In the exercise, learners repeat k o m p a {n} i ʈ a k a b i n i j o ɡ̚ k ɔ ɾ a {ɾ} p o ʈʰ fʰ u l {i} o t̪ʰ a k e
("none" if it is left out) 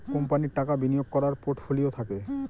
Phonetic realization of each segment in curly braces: n, ɾ, i

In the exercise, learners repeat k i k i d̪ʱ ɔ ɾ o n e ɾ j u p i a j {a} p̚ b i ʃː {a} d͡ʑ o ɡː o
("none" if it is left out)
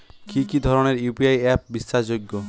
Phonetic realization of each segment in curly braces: ɛ, a

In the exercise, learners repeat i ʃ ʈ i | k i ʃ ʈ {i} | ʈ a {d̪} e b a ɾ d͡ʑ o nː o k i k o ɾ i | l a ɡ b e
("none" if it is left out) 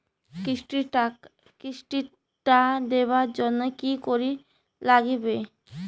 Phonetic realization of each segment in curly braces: i, d̪

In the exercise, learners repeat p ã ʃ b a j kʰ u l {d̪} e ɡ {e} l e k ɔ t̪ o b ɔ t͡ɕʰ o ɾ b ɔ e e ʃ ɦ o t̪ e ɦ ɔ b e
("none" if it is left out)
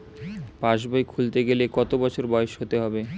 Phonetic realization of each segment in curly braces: t̪, e

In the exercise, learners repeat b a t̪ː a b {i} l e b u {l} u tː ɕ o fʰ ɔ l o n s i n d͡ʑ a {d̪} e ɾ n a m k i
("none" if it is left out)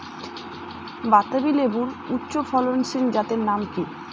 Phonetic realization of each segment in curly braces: i, ɾ, t̪

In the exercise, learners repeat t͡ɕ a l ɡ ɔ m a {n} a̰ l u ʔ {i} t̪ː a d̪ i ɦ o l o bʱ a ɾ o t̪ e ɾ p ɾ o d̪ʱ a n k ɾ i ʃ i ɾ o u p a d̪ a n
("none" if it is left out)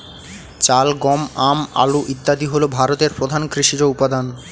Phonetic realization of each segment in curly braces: m, i

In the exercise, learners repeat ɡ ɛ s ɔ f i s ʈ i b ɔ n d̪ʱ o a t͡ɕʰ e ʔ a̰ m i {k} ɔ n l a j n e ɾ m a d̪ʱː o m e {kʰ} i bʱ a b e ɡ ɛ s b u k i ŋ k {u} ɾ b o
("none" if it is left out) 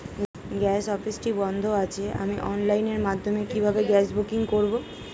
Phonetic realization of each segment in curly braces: ʔ, k, o

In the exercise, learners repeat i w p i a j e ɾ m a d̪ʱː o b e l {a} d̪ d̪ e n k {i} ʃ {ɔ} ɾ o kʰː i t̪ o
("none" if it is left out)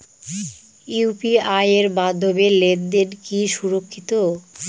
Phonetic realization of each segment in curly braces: e, i, u

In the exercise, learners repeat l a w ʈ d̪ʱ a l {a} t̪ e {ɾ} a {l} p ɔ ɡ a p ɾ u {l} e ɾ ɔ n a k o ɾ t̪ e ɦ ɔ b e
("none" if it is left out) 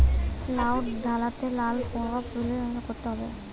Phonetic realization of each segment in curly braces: a, l, l, l

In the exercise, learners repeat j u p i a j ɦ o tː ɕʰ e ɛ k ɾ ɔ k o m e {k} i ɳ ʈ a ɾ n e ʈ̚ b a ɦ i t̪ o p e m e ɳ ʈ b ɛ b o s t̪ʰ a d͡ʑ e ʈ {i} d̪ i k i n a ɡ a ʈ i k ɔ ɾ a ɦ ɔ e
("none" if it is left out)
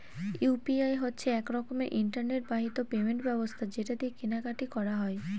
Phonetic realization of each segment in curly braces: ʔ, a

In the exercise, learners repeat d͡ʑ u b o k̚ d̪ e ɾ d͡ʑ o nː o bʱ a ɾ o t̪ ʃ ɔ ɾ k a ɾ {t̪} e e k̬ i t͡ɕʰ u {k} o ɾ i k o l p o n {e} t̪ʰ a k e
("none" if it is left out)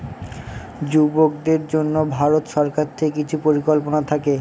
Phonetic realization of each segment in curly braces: t̪ʰ, p, a

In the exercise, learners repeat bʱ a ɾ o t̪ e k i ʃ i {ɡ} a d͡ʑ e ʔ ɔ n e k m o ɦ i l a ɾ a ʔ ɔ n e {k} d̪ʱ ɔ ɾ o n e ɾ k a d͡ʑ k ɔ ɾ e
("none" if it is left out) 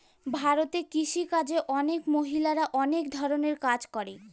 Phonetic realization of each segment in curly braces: k, k

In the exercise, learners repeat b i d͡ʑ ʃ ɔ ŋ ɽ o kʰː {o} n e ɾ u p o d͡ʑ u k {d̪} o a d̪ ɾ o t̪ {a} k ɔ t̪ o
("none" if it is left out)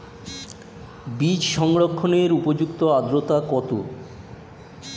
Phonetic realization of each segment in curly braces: o, t̪, a

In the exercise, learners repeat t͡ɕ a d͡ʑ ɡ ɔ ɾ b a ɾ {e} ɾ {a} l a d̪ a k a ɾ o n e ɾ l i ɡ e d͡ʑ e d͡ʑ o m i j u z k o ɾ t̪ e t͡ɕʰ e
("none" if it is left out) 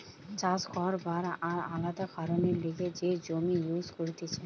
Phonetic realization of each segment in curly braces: a, a

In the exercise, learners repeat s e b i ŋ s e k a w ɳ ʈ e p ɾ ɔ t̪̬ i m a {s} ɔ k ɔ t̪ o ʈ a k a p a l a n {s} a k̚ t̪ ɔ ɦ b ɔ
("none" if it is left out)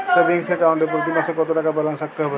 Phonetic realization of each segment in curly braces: s, s

